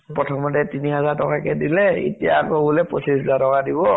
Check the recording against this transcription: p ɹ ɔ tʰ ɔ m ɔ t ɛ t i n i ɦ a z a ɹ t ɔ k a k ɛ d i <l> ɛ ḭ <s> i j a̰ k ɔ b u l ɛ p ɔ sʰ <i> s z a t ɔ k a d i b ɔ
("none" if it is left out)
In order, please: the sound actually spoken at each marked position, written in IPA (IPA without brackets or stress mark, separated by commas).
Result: l, t, i